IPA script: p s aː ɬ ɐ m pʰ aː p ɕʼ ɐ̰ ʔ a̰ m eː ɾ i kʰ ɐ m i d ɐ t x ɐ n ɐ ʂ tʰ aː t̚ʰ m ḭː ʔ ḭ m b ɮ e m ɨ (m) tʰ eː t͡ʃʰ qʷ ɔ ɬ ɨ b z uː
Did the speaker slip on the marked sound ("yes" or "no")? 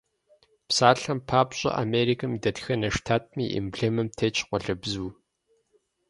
no